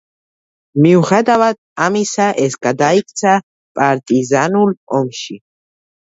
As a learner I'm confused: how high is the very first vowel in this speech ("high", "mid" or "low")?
high